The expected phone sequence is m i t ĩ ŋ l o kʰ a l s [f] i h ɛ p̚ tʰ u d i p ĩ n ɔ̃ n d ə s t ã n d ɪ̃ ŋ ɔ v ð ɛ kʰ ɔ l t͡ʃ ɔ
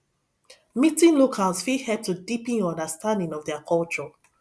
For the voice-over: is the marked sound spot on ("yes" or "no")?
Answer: yes